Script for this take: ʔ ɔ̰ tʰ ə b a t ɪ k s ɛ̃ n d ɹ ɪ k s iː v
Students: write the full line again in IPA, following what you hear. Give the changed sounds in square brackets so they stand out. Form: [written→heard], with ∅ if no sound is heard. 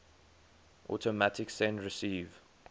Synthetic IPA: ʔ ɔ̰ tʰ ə [b→m] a t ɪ k s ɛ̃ n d ɹ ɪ [k→∅] s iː v